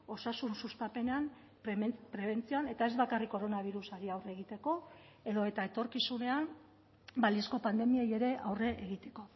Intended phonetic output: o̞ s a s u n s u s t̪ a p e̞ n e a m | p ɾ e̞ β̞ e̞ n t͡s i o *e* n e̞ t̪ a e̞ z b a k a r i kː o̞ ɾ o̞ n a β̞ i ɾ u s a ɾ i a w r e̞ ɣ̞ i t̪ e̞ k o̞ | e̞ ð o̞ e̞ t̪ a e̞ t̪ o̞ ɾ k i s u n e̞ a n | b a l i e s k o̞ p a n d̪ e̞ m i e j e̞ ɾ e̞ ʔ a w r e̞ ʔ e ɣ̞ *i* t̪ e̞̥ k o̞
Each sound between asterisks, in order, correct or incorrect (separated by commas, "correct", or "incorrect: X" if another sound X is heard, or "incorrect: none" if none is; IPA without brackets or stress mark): incorrect: a, correct